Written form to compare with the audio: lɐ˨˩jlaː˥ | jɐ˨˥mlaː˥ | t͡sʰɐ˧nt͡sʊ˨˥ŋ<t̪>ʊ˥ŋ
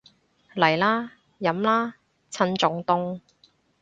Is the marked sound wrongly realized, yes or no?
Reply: no